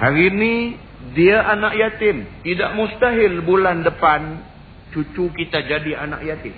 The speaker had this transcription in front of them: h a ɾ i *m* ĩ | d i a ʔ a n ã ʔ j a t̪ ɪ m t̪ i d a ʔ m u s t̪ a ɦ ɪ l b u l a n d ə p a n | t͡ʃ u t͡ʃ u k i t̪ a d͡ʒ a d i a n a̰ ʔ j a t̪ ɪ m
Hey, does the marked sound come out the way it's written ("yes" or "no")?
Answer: no